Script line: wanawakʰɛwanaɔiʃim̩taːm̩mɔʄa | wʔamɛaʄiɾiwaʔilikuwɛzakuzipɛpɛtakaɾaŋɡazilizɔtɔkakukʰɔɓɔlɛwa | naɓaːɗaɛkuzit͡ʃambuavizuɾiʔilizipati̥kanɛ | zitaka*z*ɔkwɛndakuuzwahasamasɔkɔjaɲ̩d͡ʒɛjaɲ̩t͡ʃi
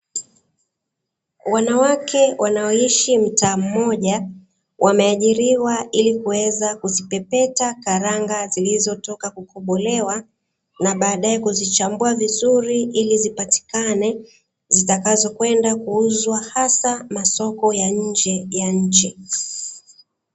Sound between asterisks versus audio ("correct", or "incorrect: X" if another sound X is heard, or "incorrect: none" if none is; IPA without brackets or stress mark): correct